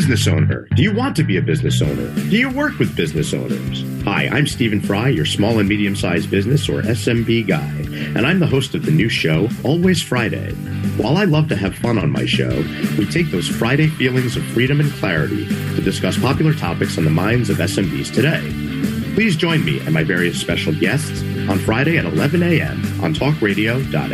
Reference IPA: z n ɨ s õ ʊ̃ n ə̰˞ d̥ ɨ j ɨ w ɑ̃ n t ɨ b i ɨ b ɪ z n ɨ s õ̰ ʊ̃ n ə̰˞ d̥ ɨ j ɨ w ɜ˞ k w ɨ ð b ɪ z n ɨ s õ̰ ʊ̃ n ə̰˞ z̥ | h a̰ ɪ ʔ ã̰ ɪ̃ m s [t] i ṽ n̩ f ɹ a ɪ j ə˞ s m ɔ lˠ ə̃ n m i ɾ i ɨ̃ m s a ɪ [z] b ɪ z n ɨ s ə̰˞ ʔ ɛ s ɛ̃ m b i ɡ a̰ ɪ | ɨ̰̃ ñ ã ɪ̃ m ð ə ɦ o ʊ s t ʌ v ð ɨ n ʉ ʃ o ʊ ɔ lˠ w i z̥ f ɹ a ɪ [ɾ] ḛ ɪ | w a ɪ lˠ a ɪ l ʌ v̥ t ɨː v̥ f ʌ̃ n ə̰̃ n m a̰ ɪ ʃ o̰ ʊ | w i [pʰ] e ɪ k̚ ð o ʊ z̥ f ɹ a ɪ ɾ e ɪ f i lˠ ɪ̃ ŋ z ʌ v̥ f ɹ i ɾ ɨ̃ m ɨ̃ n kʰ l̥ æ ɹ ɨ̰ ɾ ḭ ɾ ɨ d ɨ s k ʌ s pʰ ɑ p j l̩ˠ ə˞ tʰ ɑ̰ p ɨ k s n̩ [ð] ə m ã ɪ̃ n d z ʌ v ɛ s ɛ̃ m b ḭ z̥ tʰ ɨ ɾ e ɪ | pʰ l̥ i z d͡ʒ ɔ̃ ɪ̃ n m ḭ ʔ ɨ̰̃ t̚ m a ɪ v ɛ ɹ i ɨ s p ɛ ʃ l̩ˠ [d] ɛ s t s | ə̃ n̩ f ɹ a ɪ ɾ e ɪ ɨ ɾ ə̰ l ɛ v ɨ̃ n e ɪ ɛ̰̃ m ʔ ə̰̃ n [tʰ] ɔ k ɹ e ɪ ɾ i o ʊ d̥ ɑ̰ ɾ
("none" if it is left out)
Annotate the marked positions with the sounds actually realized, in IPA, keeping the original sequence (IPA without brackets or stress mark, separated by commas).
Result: t, z, ɾ, tʰ, ð, ɡ, tʰ